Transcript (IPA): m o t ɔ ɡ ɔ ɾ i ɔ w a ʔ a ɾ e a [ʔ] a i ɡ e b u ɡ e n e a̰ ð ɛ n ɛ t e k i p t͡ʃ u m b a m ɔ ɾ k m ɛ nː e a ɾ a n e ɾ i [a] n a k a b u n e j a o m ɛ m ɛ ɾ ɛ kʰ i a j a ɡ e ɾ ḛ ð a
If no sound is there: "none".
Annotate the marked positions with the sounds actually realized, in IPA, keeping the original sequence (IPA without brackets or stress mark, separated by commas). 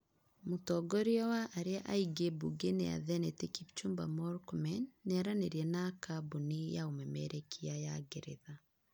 ʔ, ɛ